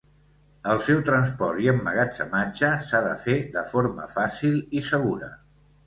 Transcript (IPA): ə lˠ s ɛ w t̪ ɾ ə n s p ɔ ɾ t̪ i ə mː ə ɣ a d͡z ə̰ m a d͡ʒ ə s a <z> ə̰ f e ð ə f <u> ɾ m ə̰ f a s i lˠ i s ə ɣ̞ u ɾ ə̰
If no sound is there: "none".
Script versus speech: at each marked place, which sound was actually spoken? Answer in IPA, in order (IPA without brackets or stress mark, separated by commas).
ð, o